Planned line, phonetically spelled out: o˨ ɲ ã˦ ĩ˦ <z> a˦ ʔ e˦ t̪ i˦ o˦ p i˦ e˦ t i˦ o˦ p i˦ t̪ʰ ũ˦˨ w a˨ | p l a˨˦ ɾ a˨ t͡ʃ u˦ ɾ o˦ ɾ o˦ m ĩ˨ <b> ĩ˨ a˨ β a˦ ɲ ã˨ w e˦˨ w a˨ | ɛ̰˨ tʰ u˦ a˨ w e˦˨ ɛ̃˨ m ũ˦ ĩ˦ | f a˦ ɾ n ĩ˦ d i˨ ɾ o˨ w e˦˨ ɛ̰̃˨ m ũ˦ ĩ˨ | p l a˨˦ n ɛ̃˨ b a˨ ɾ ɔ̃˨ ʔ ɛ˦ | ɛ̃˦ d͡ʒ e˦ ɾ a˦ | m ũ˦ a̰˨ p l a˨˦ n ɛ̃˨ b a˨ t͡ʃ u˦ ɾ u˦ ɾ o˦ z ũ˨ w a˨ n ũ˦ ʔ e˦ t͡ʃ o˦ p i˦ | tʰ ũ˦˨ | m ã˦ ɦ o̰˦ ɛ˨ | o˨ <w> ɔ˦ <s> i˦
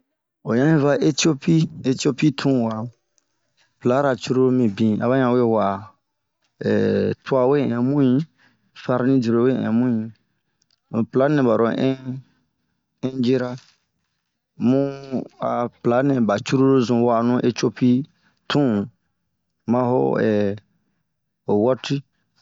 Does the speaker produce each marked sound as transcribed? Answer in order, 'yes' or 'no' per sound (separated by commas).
no, yes, yes, no